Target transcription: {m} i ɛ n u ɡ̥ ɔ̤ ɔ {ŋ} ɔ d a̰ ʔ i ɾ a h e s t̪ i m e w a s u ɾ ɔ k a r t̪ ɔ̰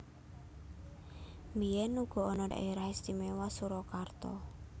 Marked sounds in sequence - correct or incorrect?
correct, incorrect: n

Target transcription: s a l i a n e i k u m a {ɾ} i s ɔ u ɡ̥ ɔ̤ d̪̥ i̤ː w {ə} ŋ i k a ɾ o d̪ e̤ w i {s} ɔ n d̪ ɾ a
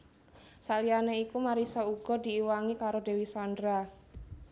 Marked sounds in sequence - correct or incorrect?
correct, incorrect: a, correct

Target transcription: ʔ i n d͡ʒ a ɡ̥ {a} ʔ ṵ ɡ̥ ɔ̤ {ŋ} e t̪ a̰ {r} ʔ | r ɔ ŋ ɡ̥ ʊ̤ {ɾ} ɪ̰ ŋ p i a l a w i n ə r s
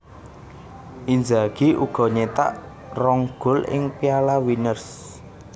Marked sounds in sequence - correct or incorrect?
incorrect: i, incorrect: ɲ, incorrect: none, incorrect: l

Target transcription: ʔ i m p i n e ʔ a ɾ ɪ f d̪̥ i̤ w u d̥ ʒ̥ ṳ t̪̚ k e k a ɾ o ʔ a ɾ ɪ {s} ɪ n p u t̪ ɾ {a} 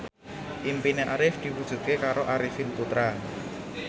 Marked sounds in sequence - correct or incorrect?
incorrect: f, correct

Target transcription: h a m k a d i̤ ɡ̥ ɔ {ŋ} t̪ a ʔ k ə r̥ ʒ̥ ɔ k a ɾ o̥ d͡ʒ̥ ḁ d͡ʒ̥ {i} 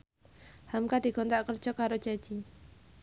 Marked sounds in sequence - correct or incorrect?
incorrect: n, correct

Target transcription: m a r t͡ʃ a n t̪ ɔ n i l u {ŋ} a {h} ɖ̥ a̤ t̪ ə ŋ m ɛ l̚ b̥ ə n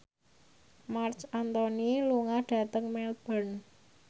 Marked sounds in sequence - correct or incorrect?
correct, correct

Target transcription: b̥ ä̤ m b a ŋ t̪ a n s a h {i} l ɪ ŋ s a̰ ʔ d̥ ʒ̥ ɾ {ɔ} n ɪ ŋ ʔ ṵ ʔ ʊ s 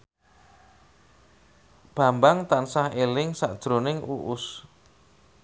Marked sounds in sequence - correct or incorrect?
incorrect: e, incorrect: o

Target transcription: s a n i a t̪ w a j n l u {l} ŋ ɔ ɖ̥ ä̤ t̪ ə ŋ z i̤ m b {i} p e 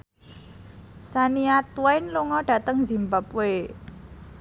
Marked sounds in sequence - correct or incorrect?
incorrect: none, incorrect: a

